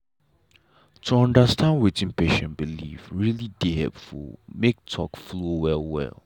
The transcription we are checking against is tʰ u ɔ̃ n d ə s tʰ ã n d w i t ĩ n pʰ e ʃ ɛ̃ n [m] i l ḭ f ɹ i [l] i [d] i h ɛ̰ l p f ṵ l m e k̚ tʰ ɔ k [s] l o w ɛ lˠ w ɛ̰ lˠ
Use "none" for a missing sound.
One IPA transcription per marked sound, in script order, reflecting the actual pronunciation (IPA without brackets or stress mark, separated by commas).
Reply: b, l, d, f